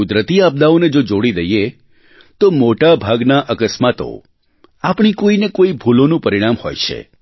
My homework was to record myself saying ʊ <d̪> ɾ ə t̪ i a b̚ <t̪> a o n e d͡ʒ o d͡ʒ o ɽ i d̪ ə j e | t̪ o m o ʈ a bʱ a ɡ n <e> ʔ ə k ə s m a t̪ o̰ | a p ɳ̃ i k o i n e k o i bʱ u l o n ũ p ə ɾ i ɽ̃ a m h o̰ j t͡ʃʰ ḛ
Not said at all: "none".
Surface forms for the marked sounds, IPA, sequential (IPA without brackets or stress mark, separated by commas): d̪, d̪, a